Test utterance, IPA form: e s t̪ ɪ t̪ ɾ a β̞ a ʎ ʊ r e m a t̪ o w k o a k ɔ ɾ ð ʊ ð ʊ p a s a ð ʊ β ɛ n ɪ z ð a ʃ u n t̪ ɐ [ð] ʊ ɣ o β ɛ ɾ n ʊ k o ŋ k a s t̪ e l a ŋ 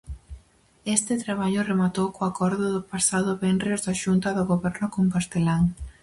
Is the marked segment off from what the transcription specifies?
no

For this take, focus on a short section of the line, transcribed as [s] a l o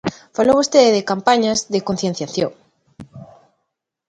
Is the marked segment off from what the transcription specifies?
yes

